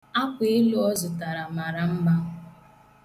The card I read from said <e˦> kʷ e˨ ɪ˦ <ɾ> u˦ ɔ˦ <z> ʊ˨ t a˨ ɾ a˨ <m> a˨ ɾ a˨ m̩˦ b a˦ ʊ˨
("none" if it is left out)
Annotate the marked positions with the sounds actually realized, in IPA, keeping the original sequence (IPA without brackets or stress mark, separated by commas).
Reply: a˦, l, z, m